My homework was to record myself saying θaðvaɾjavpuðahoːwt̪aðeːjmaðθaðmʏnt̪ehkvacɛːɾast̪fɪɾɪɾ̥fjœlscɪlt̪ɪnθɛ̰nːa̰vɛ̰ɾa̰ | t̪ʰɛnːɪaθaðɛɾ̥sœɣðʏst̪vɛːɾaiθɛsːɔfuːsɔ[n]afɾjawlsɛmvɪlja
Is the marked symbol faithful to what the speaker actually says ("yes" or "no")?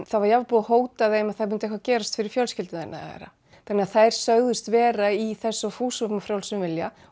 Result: no